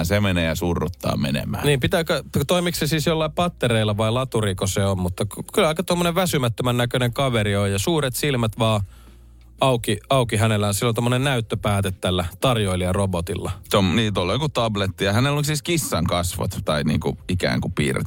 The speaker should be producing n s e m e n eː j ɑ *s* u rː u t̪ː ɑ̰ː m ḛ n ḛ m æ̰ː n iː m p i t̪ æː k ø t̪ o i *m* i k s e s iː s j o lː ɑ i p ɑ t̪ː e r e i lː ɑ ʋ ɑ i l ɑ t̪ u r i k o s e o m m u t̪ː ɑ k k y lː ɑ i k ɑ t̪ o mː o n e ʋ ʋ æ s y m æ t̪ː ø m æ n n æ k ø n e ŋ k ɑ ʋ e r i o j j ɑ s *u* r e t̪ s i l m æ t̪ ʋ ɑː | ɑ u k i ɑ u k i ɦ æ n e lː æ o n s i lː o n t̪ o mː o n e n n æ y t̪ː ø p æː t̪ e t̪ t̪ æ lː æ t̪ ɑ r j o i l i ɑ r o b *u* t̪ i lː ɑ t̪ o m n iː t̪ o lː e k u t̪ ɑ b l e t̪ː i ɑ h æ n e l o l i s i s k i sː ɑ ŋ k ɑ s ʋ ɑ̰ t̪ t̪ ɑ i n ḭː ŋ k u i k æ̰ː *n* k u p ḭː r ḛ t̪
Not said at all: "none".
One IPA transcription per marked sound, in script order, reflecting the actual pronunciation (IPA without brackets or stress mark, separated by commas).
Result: s, m, uː, o, ŋ